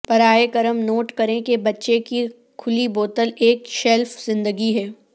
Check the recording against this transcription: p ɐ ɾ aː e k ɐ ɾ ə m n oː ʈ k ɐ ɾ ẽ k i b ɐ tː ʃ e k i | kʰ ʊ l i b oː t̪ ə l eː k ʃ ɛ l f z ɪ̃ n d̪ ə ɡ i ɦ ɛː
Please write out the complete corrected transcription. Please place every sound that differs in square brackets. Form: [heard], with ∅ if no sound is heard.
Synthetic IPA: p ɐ ɾ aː e k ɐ ɾ ə m n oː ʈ k ɐ ɾ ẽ k [e] b ɐ tː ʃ e k i | kʰ ʊ l i b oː t̪ ə l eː k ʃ ɛ l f z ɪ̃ n d̪ ə ɡ i ɦ ɛː